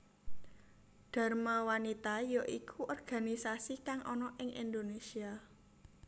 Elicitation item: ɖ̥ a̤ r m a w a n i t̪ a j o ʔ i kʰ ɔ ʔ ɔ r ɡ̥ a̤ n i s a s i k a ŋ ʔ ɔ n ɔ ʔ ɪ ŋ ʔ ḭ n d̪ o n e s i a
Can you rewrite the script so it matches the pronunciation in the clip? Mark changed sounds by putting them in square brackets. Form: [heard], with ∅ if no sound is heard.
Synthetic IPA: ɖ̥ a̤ r m a w a n i t̪ a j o ʔ i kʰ [u] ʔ ɔ r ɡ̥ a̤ n i s a s i k a ŋ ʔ ɔ n ɔ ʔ ɪ ŋ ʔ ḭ n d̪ o n e s i a

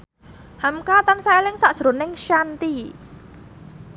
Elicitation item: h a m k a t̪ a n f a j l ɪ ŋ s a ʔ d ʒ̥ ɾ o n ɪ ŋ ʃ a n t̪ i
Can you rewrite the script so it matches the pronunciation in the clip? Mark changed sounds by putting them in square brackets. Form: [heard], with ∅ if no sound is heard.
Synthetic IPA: h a m k a t̪ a n [s] a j l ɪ ŋ s a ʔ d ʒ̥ ɾ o n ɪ ŋ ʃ a n t̪ i

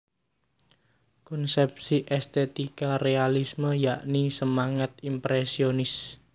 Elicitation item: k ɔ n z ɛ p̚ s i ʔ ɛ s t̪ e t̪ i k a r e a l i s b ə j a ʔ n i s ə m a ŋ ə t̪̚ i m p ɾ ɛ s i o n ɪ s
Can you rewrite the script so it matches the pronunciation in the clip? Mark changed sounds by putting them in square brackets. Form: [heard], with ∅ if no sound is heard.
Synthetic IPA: k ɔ n [s] ɛ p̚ s i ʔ ɛ s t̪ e t̪ i k a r e a l i s [m] ə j a ʔ n i s ə m a ŋ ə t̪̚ i m p ɾ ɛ s i o n ɪ s

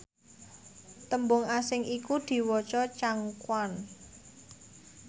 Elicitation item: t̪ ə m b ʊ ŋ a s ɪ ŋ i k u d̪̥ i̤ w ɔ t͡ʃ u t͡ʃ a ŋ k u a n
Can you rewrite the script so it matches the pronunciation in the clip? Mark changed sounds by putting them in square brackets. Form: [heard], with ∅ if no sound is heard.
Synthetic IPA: t̪ ə m b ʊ ŋ a s ɪ ŋ i k u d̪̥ i̤ w ɔ t͡ʃ [ɔ] t͡ʃ a ŋ k [w] a n

